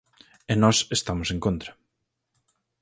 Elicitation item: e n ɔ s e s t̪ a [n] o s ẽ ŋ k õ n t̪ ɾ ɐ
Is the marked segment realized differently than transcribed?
yes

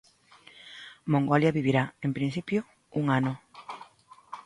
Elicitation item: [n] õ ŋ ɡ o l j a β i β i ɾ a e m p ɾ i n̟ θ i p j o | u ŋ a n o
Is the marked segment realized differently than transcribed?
yes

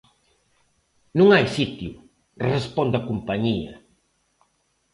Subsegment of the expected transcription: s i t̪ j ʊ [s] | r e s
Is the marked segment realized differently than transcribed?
yes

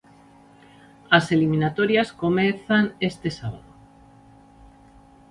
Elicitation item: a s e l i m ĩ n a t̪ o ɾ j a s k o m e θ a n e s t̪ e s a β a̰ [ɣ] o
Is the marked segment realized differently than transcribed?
yes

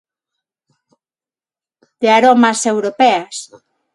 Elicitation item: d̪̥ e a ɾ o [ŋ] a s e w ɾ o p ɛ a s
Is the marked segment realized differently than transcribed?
yes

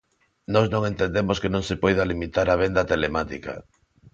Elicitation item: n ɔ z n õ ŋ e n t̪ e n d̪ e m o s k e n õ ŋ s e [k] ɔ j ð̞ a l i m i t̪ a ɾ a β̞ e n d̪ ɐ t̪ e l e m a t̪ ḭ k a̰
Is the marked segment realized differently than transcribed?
yes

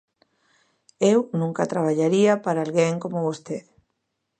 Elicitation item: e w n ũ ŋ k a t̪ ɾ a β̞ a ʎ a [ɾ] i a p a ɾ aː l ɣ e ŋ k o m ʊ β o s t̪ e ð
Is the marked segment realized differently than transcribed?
no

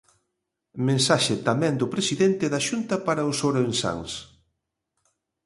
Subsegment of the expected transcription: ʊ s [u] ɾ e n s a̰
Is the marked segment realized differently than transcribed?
yes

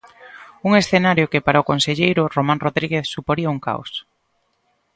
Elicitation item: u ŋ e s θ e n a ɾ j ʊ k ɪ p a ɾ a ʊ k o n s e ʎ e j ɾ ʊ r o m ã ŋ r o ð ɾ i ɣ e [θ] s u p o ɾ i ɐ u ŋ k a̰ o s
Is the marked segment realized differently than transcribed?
no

